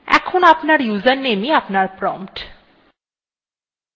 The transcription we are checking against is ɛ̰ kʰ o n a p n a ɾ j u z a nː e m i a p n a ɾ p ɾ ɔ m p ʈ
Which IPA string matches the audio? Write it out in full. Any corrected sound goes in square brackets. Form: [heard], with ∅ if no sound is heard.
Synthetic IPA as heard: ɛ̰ kʰ o n a p n a ɾ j u z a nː e m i a p n a ɾ p ɾ ɔ m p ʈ